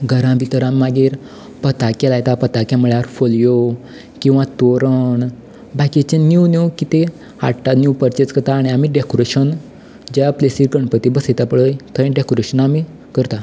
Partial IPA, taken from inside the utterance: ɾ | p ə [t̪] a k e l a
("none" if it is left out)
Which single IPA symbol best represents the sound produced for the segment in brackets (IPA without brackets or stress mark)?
t̪